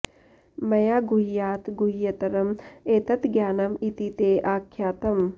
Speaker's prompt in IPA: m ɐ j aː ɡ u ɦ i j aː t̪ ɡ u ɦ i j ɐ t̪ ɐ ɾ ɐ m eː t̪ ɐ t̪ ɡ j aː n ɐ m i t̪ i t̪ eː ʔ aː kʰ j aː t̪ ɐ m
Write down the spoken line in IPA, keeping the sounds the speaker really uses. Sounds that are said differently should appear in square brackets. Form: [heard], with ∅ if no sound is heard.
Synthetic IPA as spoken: m ɐ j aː ɡ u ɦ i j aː t̪ ɡ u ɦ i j ɐ t̪ ɐ ɾ ɐ m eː t̪ ɐ t̪ ɡ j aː n ɐ m i t̪ i t̪ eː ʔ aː kʰ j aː t̪ ɐ m

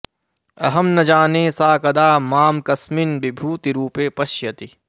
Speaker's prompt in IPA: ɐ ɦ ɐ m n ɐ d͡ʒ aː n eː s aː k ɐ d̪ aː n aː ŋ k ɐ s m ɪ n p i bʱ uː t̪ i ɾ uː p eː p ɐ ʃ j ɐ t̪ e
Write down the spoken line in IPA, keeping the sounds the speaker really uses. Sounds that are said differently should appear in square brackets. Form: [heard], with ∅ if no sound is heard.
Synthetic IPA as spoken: ɐ ɦ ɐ m n ɐ d͡ʒ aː n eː s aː k ɐ d̪ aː [m] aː [m] k ɐ s m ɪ n [b] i bʱ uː t̪ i ɾ uː p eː p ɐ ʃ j ɐ t̪ [i]

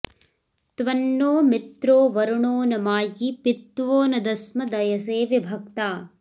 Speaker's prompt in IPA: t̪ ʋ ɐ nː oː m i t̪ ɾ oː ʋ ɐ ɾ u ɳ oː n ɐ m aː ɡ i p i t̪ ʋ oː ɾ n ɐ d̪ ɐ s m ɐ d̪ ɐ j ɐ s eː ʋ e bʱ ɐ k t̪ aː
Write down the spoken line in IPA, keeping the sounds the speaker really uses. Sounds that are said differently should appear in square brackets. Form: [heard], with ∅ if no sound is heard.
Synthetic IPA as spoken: t̪ ʋ ɐ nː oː m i t̪ ɾ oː ʋ ɐ ɾ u ɳ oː n ɐ m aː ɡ i p i t̪ ʋ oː [∅] n ɐ d̪ ɐ s m ɐ d̪ ɐ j ɐ s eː ʋ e bʱ ɐ k t̪ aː

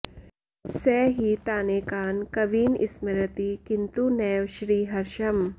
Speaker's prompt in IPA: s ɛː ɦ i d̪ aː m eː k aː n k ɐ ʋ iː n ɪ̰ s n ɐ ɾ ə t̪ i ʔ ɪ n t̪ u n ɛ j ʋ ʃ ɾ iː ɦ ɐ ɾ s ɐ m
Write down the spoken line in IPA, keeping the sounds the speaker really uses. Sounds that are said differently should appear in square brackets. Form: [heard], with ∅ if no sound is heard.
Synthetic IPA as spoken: s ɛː ɦ i [t̪] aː [n] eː k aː n k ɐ ʋ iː n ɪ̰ s [m] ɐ ɾ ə t̪ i [k] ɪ n t̪ u n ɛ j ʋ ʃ ɾ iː ɦ ɐ ɾ [ʃ] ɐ m

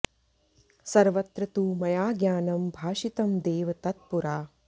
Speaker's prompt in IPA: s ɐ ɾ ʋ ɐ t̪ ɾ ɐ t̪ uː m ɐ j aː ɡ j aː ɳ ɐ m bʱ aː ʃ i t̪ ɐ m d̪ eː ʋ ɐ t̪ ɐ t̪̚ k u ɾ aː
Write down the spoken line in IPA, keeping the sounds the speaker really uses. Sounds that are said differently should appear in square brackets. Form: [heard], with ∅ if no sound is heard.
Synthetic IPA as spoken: s ɐ ɾ ʋ ɐ t̪ ɾ ɐ t̪ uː m ɐ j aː ɡ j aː [n] ɐ m bʱ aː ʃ i t̪ ɐ m d̪ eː ʋ ɐ t̪ ɐ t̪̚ [p] u ɾ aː

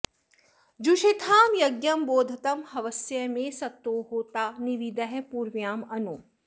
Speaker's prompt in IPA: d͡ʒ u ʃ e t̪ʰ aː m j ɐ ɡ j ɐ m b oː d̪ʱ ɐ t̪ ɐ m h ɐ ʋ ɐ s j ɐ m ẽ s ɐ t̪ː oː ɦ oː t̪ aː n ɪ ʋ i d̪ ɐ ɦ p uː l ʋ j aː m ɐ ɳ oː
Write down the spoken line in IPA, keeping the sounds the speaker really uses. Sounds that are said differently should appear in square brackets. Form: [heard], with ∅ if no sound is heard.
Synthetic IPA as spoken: d͡ʒ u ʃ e t̪ʰ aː m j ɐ ɡ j ɐ m b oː d̪ʱ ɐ t̪ ɐ m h ɐ ʋ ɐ s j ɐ m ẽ s ɐ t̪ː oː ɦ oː t̪ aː n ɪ ʋ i d̪ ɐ ɦ p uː [ɾ] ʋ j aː m ɐ [n] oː

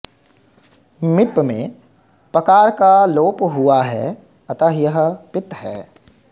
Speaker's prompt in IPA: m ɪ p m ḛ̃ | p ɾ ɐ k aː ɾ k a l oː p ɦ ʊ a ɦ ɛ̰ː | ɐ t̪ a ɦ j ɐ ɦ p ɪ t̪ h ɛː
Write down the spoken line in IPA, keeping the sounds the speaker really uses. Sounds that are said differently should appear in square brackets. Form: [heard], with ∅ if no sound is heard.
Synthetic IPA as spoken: m ɪ p m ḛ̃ | p ɾ ɐ k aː ɾ k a l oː p ɦ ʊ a ɦ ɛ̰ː | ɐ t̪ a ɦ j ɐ ɦ p ɪ t̪ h ɛː

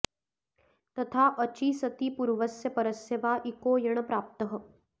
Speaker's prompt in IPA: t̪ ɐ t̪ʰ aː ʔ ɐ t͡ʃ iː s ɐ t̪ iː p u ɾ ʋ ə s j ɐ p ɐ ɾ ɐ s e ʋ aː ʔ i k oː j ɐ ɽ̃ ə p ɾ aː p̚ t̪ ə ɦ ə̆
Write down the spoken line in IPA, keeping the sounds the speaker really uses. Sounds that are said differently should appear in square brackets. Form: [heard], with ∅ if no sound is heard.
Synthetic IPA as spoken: t̪ ɐ t̪ʰ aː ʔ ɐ t͡ʃ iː s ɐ t̪ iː p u ɾ ʋ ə s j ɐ p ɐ ɾ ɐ s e ʋ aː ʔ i k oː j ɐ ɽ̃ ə p ɾ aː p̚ t̪ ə ɦ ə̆

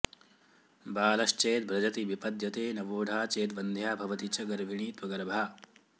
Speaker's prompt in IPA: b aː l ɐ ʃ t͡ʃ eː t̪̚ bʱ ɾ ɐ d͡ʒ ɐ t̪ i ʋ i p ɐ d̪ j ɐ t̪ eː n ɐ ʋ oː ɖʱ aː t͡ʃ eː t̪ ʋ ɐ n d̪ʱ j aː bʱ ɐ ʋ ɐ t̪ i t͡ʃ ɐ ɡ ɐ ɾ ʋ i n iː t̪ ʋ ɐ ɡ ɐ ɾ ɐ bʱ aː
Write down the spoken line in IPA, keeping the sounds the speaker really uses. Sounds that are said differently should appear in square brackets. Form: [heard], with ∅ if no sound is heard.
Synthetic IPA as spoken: b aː l ɐ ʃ t͡ʃ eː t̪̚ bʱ ɾ ɐ d͡ʒ ɐ t̪ i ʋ i p ɐ d̪ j ɐ t̪ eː n ɐ ʋ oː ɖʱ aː t͡ʃ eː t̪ ʋ ɐ n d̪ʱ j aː bʱ ɐ ʋ ɐ t̪ i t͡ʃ ɐ ɡ ɐ ɾ ʋ i [ɳ] iː t̪ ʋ ɐ ɡ ɐ ɾ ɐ bʱ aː

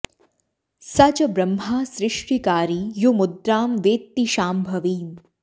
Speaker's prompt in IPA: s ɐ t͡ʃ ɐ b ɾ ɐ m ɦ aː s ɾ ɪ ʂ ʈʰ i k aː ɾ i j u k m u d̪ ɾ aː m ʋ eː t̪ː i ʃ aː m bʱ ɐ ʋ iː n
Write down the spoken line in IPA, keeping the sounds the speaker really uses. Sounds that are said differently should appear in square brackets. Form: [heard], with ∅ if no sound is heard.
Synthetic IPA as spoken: s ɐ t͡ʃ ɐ b ɾ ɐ m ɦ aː s ɾ ɪ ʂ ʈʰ i k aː ɾ i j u [∅] m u d̪ ɾ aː m ʋ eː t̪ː i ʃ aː m bʱ ɐ ʋ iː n

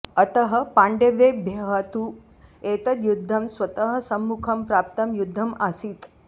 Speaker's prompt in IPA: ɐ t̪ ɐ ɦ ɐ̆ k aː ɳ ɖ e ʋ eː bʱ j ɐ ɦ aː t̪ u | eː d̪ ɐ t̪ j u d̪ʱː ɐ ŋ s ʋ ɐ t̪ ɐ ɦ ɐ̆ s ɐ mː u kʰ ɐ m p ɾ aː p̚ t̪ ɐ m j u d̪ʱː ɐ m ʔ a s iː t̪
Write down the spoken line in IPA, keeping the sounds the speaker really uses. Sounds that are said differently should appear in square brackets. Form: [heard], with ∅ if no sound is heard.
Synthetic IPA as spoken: ɐ t̪ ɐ ɦ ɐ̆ [p] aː ɳ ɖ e ʋ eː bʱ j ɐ ɦ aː t̪ u | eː [t̪] ɐ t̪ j u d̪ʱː ɐ [m] s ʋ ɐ t̪ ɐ ɦ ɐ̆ s ɐ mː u kʰ ɐ m p ɾ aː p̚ t̪ ɐ m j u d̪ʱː ɐ m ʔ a s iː t̪

